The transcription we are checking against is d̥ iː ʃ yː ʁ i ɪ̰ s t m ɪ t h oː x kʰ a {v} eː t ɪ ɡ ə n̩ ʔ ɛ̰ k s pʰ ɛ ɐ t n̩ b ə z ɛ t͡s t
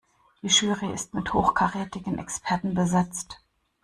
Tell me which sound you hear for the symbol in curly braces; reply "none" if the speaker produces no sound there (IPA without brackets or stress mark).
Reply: ʁ